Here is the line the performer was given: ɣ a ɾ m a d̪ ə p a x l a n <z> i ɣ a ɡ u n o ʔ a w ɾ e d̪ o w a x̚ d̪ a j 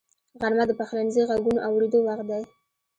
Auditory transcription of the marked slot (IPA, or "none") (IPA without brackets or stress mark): z